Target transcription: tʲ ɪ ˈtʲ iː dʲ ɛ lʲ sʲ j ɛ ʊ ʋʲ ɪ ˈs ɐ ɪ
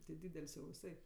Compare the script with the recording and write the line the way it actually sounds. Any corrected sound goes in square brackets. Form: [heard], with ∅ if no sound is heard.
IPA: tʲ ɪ [ˈdʲ] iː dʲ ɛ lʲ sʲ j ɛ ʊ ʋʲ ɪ ˈs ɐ ɪ